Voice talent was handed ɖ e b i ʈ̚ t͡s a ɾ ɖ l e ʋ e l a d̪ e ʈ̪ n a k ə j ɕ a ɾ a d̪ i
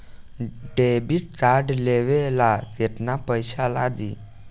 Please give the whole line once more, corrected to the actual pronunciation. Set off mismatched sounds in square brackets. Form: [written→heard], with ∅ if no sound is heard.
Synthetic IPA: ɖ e b i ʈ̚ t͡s a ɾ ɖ l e ʋ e l a [d̪→t̪] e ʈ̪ n a [k→p] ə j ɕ a [ɾ→l] a d̪ i